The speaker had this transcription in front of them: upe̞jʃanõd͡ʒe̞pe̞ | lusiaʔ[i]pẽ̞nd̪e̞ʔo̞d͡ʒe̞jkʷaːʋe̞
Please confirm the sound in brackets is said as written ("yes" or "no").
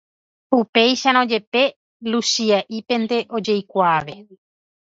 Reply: yes